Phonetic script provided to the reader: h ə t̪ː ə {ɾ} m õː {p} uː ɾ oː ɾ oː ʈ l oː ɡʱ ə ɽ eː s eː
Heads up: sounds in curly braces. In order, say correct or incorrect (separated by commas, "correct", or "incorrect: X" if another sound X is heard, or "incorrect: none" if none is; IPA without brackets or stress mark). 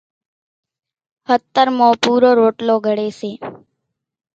correct, correct